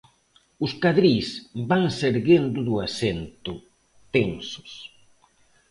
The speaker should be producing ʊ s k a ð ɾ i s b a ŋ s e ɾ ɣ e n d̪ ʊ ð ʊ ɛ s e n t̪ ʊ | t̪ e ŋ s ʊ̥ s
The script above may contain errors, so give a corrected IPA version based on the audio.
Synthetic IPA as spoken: ʊ s k a ð ɾ i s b a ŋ s e ɾ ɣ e n d̪ ʊ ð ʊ a s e n t̪ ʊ | t̪ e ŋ s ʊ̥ s